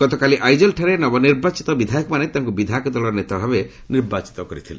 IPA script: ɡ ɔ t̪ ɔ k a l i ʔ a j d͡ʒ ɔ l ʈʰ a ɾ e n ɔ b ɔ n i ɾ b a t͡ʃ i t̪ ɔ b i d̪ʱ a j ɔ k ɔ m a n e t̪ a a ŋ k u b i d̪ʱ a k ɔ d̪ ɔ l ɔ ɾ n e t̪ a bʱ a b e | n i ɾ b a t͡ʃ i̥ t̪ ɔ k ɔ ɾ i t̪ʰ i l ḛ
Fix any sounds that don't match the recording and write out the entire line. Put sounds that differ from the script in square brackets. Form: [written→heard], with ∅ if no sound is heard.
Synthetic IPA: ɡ ɔ t̪ ɔ k a l i ʔ a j d͡ʒ ɔ l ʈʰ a ɾ e n ɔ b ɔ n i ɾ b a t͡ʃ i t̪ ɔ b i d̪ʱ a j ɔ k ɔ m a n e t̪ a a ŋ k u b i d̪ʱ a k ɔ d̪ ɔ l ɔ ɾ n e t̪ a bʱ a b e | n i ɾ b a t͡ʃ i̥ t̪ ɔ k ɔ ɾ i t̪ʰ i l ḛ